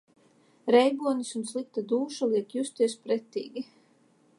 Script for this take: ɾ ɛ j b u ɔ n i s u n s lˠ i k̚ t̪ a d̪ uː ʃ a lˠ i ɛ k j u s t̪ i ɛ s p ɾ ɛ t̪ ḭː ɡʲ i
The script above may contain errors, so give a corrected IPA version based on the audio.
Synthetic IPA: ɾ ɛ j b u ɔ n i s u n s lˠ i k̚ t̪ a d̪ uː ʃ a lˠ i ɛ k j u s t̪ i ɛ s p ɾ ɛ t̪ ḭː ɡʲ i